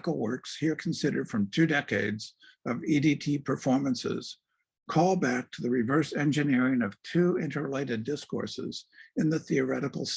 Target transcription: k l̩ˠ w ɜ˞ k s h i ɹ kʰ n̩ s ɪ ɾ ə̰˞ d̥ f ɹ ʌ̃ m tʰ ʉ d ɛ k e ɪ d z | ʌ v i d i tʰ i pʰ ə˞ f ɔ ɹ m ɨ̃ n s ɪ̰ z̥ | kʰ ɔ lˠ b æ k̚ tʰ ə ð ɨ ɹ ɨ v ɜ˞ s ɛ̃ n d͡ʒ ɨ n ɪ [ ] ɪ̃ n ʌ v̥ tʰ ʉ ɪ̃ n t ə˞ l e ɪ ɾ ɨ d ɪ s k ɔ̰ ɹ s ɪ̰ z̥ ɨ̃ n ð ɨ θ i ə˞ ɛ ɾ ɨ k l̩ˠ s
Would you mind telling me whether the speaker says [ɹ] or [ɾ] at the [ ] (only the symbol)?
ɹ